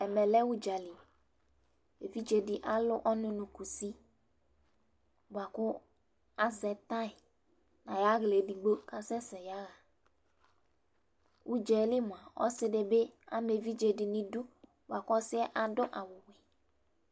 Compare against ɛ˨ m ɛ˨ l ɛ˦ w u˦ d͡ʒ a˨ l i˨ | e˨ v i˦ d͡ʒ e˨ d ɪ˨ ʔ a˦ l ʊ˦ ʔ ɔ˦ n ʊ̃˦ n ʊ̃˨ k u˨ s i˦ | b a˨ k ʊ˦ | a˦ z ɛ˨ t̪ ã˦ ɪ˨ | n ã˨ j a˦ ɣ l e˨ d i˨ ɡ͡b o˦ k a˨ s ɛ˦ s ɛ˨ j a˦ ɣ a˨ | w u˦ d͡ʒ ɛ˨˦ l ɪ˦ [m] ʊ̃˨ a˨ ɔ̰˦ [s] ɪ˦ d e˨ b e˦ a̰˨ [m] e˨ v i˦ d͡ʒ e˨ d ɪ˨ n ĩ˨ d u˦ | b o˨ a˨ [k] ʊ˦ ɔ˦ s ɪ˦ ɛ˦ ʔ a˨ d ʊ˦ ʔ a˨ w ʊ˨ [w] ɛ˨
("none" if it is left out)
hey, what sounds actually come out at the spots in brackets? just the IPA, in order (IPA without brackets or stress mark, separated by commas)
m, s, m, k, w